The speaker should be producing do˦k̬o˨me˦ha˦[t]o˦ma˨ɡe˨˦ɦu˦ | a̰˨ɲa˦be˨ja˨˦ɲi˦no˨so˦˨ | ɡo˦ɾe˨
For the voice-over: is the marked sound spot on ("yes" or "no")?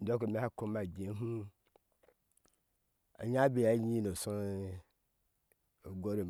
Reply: no